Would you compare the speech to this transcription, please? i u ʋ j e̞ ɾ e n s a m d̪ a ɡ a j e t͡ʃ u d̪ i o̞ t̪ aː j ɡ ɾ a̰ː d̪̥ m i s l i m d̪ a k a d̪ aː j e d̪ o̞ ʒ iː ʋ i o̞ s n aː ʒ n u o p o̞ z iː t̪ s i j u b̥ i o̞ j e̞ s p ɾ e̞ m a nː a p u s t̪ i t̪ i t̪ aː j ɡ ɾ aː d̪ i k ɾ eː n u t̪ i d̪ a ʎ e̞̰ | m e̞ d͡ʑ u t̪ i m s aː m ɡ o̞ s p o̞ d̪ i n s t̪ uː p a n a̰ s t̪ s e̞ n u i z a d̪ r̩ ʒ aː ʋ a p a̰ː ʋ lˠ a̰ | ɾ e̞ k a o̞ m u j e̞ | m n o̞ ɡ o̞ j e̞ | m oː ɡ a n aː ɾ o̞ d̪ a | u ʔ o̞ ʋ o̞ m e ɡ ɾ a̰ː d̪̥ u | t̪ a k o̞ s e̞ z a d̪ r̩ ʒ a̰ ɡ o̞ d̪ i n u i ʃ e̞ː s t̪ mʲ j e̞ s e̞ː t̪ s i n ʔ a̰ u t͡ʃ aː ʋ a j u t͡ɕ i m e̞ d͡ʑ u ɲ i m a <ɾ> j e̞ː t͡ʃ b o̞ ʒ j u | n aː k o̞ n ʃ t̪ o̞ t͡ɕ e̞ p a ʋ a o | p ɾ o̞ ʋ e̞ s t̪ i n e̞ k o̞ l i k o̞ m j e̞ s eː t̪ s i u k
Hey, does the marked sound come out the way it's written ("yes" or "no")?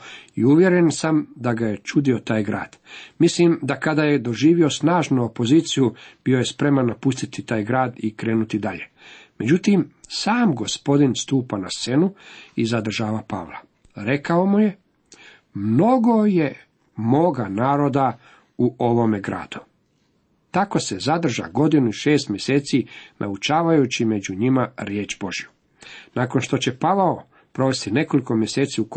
yes